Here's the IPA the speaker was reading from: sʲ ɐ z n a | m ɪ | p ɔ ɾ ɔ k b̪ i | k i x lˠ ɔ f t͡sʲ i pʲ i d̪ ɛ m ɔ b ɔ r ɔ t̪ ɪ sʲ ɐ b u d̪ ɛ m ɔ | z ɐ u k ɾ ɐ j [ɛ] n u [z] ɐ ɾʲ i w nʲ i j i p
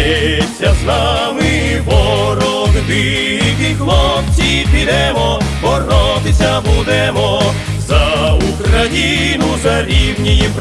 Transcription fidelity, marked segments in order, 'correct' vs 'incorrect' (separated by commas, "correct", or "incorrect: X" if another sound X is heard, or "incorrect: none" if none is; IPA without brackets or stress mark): incorrect: i, correct